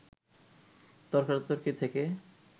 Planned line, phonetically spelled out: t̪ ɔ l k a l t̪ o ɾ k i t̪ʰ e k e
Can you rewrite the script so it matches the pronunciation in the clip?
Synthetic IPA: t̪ ɔ ɾ k a ɾ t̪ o ɾ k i t̪ʰ e k e